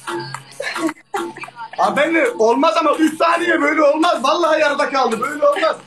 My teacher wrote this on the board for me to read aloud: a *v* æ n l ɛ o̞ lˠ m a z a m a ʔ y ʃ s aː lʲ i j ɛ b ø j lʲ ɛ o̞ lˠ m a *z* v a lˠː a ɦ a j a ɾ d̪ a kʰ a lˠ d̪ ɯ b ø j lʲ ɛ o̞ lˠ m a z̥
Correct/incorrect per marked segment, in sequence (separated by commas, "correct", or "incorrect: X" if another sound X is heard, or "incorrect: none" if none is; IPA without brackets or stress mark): incorrect: b, correct